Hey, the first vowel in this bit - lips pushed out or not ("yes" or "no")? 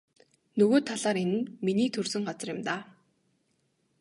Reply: yes